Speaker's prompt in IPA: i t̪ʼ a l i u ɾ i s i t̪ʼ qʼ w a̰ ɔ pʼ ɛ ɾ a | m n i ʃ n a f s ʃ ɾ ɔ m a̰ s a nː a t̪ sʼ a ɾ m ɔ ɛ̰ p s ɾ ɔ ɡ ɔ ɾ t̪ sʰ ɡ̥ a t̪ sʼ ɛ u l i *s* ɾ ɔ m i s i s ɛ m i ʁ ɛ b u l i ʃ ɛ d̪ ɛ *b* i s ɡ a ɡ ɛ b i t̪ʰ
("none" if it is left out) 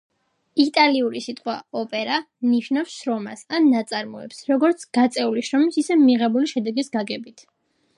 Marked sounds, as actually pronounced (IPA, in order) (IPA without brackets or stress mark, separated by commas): ʃ, ɡ